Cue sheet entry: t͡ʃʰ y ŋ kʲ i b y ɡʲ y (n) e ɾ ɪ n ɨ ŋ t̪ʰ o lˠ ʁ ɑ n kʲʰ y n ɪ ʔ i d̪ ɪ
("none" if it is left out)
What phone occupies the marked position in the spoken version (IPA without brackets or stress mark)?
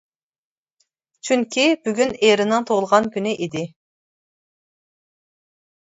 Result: n